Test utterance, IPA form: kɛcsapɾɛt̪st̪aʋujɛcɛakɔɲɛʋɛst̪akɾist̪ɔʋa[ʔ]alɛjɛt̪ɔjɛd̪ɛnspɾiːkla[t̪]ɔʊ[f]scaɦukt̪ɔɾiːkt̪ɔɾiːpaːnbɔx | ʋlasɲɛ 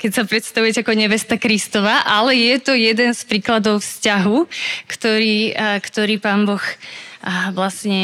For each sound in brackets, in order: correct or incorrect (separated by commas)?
correct, incorrect, correct